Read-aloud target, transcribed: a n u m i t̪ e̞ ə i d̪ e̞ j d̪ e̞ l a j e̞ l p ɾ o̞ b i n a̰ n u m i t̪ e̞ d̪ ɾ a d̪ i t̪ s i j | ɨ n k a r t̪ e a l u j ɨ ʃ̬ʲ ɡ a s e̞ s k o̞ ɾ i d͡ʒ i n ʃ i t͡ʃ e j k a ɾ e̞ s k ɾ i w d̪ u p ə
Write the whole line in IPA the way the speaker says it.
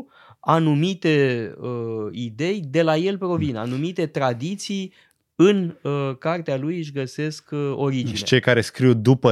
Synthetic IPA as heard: a n u m i t̪ e̞ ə i d̪ e̞ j d̪ e̞ l a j e̞ l p ɾ o̞ v i n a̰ n u m i t̪ e̞ t̪ ɾ a d̪ i t̪ s i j | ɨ n k a r t̪ e a l u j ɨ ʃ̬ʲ ɡ ə s e̞ s k o̞ ɾ i d͡ʒ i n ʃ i t͡ʃ e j k a ɾ e̞ s k ɾ i w d̪ u p ə